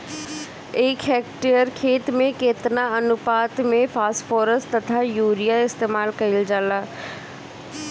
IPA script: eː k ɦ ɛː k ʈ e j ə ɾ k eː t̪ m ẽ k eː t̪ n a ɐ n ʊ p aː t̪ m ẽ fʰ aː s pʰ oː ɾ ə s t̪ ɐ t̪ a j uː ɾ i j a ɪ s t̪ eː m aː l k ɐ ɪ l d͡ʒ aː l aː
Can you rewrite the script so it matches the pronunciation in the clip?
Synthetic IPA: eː k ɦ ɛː k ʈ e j ə ɾ kʰ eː t̪ m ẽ k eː t̪ n a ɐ n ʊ p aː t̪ m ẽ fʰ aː s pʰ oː ɾ ə s t̪ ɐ t̪ʰ a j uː ɾ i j a ɪ s t̪ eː m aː l k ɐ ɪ l d͡ʒ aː l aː

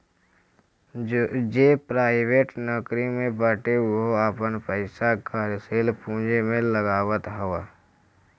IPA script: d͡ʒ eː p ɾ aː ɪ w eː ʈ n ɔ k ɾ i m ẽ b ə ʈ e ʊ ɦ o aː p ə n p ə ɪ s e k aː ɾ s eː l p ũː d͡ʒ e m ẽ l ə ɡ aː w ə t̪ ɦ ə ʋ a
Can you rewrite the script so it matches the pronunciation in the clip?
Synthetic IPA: d͡ʒ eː p ɾ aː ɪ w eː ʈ n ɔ k ɾ i m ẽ b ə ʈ e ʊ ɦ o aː p ə n p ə ɪ s a k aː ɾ s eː l p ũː d͡ʒ e m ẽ l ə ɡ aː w ə t̪ ɦ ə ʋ a

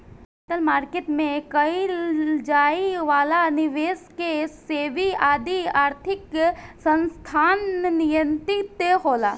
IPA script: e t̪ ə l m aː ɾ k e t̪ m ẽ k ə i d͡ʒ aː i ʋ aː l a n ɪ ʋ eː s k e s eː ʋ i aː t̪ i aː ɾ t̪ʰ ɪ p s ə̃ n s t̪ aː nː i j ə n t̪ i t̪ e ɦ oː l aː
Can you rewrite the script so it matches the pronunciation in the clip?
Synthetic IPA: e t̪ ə l m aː ɾ k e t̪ m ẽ k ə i d͡ʒ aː i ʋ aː l a n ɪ ʋ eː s k e s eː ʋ i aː d̪ i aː ɾ t̪ʰ ɪ k s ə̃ n s t̪ʰ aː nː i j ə n t̪ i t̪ e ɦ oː l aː

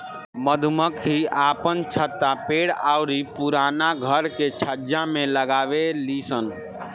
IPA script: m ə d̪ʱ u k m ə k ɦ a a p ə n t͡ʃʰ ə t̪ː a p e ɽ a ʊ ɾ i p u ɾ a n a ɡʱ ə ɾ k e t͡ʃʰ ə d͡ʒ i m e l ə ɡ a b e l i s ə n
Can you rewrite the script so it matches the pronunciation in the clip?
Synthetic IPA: m ə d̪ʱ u m ə k ɦ i a p ə n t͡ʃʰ ə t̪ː a p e ɽ a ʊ ɾ i p u ɾ a n a ɡʱ ə ɾ k e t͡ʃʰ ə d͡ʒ a m e l ə ɡ a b e l i s ə n

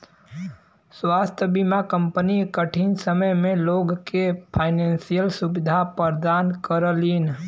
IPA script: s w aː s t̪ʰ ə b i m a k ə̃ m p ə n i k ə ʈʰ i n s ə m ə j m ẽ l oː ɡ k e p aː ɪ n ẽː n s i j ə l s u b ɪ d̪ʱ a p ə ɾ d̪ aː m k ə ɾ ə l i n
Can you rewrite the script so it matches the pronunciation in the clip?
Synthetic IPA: s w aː s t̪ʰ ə b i m a k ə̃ m p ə n i k ə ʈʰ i n s ə m ə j m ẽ l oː ɡ k e pʰ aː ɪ n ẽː n s i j ə l s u b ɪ d̪ʱ a p ə ɾ d̪ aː n k ə ɾ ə l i n

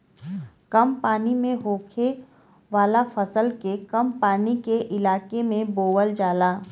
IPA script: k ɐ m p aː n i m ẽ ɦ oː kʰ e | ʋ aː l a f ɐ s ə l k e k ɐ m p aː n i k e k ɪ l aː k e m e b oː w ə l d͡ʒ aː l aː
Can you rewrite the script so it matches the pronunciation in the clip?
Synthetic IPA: k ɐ m p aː n i m ẽ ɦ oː kʰ e | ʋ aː l a f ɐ s ə l k e k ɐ m p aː n i k e ʔ ɪ l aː k e m ẽ b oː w ə l d͡ʒ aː l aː

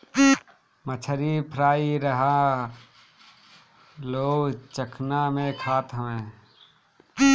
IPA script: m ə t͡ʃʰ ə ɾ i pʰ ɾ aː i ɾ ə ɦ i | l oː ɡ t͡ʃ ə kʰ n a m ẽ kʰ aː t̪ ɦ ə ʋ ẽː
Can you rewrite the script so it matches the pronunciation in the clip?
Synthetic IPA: m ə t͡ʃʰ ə ɾ i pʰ ɾ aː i ɾ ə ɦ a | l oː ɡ t͡ʃ ə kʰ n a m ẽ kʰ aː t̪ ɦ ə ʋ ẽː

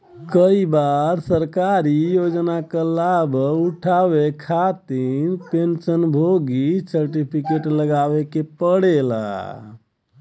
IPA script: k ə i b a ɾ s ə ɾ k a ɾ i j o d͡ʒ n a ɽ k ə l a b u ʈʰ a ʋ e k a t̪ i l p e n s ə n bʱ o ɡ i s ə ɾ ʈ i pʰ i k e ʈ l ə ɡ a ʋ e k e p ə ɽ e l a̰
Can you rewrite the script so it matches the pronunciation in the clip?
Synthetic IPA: k ə i b a ɾ s ə ɾ k a ɾ i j o d͡ʒ n a k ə l a b u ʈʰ a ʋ e kʰ a t̪ i ɾ p e n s ə n bʱ o ɡ i s ə ɾ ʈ i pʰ i k e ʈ l ə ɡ a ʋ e k e p ə ɽ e l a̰

